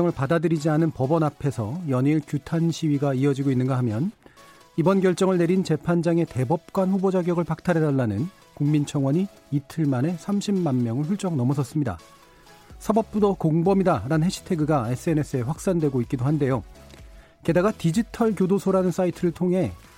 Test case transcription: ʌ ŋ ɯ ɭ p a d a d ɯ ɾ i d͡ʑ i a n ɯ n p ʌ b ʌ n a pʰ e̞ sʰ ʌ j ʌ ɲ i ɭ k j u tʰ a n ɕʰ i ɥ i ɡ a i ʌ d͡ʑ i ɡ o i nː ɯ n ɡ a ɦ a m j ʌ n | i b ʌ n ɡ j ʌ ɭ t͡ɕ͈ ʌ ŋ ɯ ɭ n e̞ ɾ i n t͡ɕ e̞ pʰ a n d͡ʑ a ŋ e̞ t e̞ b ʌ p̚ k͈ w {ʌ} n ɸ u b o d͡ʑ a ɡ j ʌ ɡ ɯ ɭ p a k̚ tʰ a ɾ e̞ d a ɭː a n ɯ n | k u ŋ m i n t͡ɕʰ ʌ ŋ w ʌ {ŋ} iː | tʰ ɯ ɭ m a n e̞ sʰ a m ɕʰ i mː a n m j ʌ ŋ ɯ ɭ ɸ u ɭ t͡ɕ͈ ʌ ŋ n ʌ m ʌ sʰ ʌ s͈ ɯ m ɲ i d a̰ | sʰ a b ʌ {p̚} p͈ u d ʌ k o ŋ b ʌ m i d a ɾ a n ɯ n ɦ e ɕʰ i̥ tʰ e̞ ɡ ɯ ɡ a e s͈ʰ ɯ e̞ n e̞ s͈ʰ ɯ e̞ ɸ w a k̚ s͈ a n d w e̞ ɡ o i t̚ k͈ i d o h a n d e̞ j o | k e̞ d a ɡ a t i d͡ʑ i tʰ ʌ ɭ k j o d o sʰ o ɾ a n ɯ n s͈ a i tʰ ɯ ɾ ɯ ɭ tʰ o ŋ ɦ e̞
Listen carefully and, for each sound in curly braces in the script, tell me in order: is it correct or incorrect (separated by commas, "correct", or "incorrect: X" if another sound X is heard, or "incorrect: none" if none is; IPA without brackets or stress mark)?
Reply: incorrect: a, incorrect: ɲ, correct